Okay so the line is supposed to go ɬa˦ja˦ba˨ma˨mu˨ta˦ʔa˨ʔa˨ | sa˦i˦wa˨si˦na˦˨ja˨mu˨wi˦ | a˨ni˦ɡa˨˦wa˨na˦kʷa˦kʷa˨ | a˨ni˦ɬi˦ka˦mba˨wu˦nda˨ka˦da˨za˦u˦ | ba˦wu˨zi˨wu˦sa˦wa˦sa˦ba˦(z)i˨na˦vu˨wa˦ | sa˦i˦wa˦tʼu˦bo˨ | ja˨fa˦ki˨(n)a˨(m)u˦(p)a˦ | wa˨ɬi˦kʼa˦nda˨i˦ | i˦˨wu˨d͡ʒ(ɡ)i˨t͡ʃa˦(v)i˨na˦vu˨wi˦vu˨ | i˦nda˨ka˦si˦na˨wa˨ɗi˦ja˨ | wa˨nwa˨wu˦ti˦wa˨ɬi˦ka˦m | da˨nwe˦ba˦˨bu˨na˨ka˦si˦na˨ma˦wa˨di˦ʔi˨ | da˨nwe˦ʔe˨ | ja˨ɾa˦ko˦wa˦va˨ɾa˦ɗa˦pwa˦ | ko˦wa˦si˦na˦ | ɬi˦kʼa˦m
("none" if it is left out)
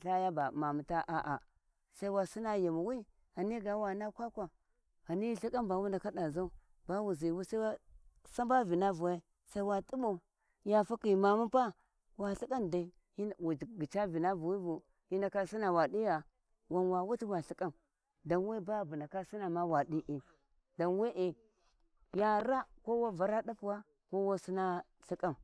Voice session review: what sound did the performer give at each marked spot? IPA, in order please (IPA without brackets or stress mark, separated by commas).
v, m, m, p, ɡ, v